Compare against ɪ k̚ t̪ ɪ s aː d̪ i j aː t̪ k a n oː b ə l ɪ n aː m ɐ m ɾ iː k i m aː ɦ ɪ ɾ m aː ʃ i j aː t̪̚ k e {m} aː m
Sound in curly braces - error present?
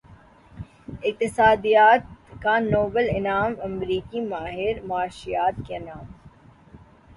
yes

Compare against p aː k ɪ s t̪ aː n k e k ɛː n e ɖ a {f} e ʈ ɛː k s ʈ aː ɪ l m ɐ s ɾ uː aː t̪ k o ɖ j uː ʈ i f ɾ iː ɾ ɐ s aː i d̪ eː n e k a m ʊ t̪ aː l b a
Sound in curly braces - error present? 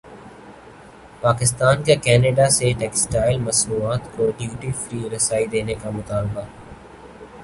yes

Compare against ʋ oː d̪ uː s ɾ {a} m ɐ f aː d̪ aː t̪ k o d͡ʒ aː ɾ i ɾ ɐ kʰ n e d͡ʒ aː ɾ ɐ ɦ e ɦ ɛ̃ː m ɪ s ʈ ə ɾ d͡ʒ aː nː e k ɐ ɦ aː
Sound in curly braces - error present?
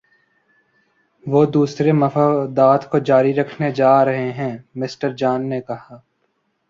yes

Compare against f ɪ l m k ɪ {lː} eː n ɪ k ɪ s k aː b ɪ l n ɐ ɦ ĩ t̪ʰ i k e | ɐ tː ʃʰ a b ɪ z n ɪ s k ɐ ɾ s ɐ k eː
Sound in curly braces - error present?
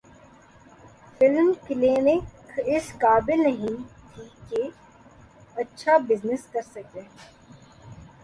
yes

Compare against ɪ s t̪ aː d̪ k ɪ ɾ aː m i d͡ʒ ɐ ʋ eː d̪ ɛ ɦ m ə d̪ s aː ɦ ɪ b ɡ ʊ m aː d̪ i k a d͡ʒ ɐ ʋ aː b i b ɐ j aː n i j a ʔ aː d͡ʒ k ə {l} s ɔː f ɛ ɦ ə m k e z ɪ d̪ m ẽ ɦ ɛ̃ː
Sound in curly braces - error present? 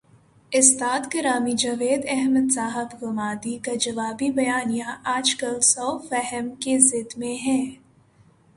no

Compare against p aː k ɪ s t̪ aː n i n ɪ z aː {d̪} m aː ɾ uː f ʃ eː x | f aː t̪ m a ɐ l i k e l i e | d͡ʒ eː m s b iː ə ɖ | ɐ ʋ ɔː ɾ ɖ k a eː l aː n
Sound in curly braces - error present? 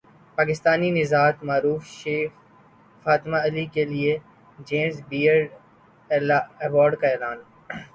yes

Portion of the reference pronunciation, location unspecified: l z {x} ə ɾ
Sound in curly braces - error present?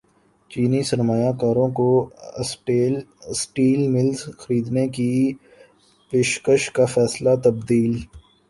no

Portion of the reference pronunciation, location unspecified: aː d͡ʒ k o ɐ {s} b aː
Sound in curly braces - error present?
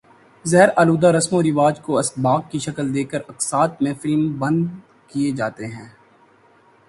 no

